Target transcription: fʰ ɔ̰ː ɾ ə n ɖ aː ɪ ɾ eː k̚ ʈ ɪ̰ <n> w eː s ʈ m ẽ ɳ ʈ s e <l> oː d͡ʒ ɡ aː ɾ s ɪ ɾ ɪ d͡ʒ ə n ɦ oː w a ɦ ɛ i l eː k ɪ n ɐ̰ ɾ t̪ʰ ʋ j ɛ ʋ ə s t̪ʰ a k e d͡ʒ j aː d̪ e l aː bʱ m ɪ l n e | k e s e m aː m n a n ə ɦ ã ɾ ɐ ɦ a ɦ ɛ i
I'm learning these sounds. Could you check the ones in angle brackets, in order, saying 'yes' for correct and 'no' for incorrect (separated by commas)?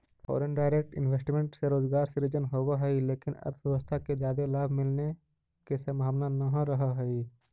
yes, no